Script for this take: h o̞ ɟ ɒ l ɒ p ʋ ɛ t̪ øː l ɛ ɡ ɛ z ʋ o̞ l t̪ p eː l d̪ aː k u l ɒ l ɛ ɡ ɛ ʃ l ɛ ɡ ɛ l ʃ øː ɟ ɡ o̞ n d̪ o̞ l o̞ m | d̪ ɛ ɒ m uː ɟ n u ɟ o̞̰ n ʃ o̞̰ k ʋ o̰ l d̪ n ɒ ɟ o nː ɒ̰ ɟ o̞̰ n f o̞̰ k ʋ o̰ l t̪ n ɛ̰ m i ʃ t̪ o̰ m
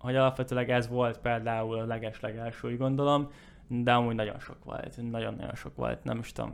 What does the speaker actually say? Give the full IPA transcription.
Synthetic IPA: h o̞ ɟ ɒ l ɒ p ʋ ɛ t̪ øː l ɛ ɡ ɛ z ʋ o̞ l t̪ p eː l d̪ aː u l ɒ l ɛ ɡ ɛ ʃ l ɛ ɡ ɛ l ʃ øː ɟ ɡ o̞ n d̪ o̞ l o̞ m | d̪ ɛ ɒ m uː ɟ n ɒ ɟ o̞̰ n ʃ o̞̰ k ʋ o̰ l t̪ n ɒ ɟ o nː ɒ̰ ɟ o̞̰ n ʃ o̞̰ k ʋ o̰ l t̪ n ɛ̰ m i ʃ t̪ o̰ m